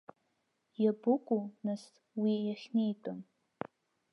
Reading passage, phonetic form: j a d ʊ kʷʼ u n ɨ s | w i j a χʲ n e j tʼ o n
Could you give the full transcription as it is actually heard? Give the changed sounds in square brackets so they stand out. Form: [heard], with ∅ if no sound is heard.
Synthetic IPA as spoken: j a [b] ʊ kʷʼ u n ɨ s | w i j a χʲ n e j tʼ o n